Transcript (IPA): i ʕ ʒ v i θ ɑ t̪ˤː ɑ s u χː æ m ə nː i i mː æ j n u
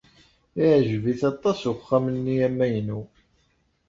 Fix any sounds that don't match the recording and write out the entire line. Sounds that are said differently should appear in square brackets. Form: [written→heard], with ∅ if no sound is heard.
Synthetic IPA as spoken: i ʕ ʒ v i θ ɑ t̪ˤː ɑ s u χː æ m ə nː i [i→æ] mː æ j n u